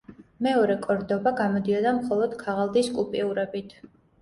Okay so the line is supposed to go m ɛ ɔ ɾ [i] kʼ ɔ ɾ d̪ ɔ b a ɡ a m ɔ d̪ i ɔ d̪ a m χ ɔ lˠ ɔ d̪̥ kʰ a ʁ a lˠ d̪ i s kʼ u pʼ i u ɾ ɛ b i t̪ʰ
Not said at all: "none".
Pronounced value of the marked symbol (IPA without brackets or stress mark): ɛ